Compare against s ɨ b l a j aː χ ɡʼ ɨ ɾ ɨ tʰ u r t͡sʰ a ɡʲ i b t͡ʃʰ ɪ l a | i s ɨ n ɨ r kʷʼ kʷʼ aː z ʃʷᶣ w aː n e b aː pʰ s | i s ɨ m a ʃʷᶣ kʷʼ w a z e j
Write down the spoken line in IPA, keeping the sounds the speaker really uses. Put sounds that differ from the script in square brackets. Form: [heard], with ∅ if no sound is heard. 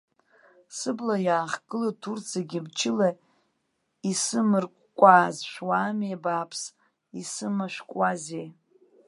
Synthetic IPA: s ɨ b l a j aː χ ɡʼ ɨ [l] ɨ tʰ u r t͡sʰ a ɡʲ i b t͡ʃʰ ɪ l a | i s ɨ [m] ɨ r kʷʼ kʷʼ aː z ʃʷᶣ w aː [m] e b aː pʰ s | i s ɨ m a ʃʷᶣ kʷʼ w a z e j